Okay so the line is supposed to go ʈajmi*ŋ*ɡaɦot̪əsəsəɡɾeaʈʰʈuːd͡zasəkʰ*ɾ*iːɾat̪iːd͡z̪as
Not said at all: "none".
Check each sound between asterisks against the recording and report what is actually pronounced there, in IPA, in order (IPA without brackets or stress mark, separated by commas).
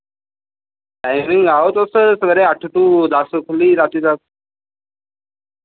ŋ, l